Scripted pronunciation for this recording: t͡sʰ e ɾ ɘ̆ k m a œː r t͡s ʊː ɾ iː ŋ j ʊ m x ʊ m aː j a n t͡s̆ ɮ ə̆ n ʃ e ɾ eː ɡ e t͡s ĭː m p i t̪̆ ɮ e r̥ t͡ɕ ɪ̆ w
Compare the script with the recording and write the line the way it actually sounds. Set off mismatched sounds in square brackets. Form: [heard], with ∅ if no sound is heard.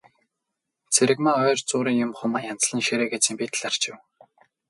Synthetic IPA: t͡sʰ e ɾ ɘ̆ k m a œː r t͡s ʊː ɾ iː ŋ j ʊ m [χ] ʊ m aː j a n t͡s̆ ɮ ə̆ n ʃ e ɾ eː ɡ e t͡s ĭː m p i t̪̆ ɮ [a] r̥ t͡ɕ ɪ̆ w